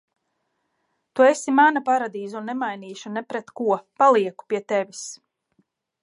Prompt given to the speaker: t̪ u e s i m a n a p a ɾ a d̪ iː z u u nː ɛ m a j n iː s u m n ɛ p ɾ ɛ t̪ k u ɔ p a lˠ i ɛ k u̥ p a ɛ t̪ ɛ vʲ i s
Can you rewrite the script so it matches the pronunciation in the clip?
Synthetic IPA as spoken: t̪ u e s i m a n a p a ɾ a d̪ iː z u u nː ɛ m a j n iː ʃ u n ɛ p ɾ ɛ t̪ k u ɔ p a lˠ i ɛ k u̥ p i ɛ t̪ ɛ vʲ i s